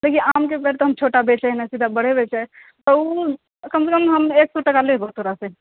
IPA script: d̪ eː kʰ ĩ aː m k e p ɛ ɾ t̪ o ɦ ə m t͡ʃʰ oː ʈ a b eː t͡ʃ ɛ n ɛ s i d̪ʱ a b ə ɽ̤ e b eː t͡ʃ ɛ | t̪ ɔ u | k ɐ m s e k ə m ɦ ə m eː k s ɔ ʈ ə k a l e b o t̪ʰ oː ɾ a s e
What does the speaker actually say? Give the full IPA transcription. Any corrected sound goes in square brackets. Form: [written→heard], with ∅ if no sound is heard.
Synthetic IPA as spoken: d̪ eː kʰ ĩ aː m k e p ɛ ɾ t̪ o ɦ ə m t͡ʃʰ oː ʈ a b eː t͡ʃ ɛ n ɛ s i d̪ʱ a b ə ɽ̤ e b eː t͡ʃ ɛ | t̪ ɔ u | k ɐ m s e k ə m ɦ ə m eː k s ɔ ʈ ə k a l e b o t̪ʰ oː ɾ a s e